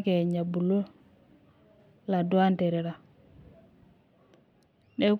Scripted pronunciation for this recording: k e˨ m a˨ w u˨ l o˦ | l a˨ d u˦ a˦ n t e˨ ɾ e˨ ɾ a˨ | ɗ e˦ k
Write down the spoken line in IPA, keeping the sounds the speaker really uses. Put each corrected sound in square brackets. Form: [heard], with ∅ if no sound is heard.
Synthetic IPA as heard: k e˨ [ɲ] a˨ [b] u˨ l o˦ | l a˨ d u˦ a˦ n t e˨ ɾ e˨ ɾ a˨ | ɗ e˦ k